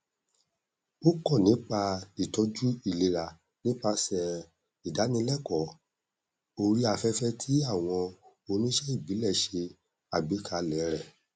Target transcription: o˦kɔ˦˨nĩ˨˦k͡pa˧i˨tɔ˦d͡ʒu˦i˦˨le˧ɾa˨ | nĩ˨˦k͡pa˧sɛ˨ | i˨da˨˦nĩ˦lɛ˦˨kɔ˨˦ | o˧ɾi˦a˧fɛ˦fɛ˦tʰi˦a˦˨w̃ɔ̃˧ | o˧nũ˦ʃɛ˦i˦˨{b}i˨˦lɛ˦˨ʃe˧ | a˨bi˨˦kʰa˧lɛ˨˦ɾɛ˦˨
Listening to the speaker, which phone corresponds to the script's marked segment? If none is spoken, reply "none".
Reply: b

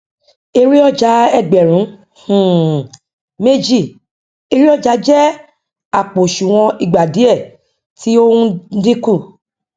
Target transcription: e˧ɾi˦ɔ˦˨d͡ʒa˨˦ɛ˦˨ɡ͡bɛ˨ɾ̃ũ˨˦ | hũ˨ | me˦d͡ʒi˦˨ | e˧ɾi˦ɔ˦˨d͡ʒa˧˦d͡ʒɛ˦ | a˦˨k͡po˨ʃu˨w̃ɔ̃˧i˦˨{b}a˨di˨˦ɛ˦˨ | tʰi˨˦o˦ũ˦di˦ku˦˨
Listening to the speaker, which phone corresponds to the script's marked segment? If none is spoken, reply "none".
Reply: ɡ͡b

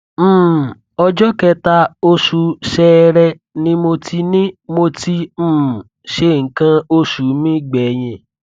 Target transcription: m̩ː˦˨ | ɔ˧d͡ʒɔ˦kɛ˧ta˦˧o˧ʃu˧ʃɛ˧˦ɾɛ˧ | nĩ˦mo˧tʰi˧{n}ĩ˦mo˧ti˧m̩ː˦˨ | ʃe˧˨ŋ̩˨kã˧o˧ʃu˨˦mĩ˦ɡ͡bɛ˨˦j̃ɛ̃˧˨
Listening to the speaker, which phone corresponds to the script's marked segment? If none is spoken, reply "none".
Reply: n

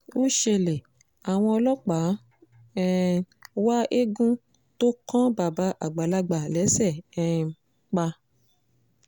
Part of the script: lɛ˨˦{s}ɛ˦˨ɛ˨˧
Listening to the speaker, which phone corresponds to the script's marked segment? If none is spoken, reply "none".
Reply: s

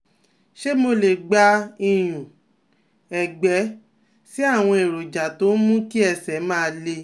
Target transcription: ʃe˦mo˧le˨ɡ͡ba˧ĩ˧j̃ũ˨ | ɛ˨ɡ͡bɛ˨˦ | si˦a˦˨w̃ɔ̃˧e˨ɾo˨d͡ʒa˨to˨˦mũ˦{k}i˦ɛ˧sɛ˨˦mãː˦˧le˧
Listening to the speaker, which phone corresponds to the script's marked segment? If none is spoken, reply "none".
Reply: k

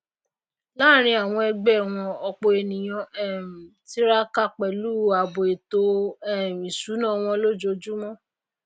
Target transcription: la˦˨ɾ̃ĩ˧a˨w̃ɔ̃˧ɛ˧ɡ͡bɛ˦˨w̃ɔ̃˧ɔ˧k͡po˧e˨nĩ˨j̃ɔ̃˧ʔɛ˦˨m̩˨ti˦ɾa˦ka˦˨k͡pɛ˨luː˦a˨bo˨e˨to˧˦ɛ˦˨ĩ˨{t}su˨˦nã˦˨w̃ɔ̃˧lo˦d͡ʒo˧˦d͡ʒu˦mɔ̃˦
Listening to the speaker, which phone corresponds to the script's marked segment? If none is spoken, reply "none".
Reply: none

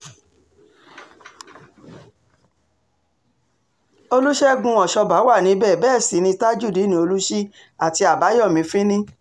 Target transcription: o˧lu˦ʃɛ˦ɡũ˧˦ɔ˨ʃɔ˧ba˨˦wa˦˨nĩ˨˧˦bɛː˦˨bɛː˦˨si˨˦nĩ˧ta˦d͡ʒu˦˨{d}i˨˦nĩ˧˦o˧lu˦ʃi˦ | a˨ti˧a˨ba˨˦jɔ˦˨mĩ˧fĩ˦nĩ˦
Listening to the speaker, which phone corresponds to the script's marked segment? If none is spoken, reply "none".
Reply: d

